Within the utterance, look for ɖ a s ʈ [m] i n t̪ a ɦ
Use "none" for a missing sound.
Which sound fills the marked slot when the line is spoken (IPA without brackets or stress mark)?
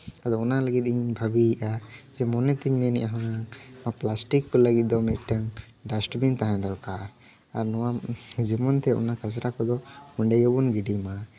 b